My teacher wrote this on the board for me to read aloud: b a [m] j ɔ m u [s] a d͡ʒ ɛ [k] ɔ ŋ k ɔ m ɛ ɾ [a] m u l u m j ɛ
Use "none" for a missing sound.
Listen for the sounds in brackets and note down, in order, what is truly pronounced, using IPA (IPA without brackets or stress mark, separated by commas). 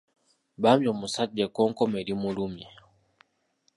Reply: m, s, k, i